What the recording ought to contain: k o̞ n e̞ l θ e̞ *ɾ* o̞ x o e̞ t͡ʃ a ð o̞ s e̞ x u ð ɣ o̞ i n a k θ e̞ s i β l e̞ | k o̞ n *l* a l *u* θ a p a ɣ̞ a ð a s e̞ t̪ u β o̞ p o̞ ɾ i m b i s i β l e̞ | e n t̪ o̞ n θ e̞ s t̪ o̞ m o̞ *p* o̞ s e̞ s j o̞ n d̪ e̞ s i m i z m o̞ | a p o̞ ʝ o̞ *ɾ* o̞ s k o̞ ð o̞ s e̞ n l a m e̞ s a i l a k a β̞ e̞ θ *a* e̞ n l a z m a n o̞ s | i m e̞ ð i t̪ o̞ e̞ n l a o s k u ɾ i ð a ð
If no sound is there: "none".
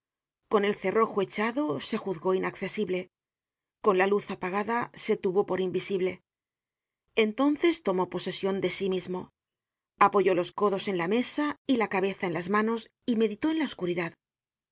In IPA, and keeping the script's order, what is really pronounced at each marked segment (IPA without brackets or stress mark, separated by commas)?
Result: r, l, u, p, l, a